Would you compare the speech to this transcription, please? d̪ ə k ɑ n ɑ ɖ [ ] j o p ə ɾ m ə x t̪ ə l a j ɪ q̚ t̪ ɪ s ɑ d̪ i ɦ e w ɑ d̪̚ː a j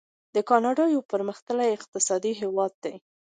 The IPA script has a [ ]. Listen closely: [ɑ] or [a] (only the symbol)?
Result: ɑ